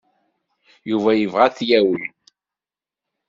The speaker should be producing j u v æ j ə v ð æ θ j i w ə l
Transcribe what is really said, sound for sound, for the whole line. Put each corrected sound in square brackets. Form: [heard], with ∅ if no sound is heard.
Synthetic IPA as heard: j u v æ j ə v [ʁ] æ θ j [æ] w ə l